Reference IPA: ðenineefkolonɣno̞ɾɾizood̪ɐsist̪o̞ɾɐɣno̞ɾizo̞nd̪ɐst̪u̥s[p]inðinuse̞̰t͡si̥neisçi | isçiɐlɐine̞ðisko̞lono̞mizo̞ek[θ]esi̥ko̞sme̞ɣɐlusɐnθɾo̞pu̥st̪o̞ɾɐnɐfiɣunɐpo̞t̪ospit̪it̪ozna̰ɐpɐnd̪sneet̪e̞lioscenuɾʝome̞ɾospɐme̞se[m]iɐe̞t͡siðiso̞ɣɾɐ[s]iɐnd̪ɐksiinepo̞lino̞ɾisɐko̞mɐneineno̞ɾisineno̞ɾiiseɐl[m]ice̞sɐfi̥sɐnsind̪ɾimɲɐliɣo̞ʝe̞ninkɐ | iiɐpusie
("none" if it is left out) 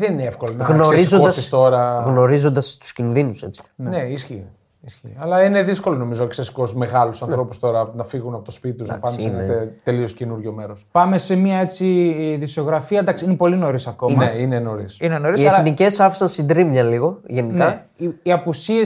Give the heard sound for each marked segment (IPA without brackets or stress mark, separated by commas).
c, s, m, f, n